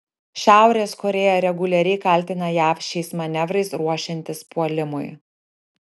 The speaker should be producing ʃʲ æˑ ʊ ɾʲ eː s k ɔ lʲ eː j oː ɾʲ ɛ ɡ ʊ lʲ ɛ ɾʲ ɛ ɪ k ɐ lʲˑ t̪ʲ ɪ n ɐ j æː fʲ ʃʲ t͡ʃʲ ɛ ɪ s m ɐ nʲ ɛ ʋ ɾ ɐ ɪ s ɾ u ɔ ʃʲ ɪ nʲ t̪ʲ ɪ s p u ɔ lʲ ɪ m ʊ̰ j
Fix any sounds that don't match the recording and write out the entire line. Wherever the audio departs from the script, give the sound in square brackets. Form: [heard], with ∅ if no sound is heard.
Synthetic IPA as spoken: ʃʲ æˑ ʊ ɾʲ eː s k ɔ [ɾʲ] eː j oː ɾʲ ɛ ɡ ʊ lʲ ɛ ɾʲ ɛ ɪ k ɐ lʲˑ t̪ʲ ɪ n ɐ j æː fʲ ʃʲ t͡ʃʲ ɛ ɪ s m ɐ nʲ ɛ ʋ ɾ ɐ ɪ s ɾ u ɔ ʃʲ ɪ nʲ t̪ʲ ɪ s p u ɔ lʲ ɪ m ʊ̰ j